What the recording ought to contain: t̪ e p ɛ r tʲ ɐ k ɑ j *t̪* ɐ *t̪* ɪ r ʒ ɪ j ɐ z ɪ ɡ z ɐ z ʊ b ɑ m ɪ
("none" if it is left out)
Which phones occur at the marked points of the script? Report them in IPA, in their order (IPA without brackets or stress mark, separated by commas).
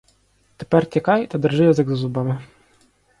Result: t̪, d̪